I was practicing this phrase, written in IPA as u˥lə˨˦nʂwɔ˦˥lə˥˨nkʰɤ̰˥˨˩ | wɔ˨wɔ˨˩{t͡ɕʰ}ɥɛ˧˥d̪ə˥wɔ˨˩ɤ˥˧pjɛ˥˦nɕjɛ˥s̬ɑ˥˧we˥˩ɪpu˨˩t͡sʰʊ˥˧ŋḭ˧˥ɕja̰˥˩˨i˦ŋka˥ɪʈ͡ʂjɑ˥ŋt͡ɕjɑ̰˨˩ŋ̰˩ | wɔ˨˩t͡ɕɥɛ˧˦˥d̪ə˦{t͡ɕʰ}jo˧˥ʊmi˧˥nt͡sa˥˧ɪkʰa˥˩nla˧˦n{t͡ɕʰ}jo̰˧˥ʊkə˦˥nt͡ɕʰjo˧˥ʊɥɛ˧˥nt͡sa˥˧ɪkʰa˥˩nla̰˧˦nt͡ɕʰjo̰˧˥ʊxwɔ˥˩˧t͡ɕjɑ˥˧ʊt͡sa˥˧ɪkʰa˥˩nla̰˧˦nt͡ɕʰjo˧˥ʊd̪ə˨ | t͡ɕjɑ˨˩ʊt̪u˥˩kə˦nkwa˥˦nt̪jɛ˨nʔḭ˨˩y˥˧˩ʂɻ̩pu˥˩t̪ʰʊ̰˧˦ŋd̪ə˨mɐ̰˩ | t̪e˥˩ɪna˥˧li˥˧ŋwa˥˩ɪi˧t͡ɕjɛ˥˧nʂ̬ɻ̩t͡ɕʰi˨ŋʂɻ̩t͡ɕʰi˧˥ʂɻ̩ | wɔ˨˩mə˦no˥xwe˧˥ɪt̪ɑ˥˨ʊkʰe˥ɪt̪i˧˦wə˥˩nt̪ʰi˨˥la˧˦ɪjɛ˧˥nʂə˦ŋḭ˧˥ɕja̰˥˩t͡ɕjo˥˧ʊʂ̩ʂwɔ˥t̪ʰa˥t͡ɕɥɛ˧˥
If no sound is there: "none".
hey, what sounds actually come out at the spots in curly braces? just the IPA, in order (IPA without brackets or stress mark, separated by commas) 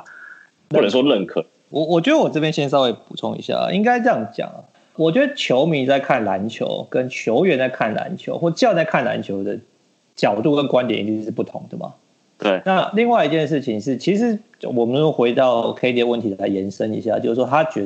t͡ɕ, t͡ɕʰ, t͡ɕʰ